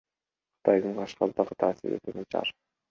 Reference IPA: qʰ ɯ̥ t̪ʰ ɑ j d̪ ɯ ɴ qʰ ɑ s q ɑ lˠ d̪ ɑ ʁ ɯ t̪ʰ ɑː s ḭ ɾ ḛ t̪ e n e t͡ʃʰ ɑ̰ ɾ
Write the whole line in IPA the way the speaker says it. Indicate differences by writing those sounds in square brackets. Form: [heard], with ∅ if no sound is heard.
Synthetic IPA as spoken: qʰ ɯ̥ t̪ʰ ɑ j d̪ ɯ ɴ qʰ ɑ [ʃ] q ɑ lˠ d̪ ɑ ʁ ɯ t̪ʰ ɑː s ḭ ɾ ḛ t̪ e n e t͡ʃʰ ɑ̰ ɾ

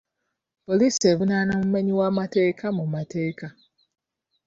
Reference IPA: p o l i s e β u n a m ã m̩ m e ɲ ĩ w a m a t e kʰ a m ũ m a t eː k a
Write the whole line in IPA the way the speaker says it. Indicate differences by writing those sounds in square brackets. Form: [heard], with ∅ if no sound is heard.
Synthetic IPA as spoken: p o l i s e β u n a [n] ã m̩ m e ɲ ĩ w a m a t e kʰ a m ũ m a t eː k a

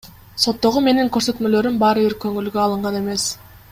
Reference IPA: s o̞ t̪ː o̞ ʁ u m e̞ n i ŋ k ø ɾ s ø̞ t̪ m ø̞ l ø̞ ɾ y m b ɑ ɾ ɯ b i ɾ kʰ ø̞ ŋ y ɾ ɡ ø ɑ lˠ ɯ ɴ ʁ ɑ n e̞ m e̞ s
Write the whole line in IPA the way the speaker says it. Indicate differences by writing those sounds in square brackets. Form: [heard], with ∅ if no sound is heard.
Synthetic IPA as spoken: s o̞ t̪ː o̞ ʁ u m e̞ n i ŋ k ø ɾ s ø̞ t̪ m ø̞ l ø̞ ɾ y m b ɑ ɾ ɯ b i ɾ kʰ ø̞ ŋ y [l] ɡ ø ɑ lˠ ɯ ɴ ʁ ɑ n e̞ m e̞ s

